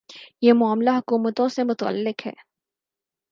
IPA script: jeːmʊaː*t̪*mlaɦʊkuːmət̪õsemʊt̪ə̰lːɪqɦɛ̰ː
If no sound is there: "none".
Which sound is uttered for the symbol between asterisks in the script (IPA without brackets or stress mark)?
none